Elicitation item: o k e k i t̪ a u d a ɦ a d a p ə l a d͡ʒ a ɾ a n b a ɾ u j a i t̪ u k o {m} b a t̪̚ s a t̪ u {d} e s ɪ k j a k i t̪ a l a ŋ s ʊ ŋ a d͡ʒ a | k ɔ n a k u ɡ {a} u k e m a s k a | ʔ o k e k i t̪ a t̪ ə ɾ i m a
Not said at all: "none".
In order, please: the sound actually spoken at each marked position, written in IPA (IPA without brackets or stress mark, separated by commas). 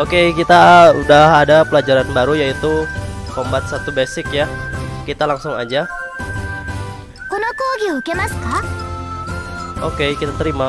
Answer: m, b, i